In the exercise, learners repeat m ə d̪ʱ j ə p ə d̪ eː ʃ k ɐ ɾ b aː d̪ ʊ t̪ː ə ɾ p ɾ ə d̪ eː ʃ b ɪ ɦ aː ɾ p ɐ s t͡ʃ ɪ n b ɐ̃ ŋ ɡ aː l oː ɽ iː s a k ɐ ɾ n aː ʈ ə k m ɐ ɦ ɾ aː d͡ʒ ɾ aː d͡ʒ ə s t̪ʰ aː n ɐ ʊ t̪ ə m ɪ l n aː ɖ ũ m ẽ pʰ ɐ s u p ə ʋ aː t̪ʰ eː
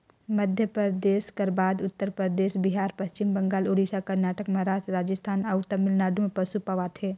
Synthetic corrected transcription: m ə d̪ʱ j ə p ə d̪ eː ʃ k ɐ ɾ b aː d̪ ʊ t̪ː ə ɾ p ɾ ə d̪ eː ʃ b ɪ ɦ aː ɾ p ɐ s t͡ʃ ɪ m b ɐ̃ ŋ ɡ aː l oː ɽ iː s a k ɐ ɾ n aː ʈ ə k m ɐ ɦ ɾ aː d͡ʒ ɾ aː d͡ʒ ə s t̪ʰ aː n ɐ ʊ t̪ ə m ɪ l n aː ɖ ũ m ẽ p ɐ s u p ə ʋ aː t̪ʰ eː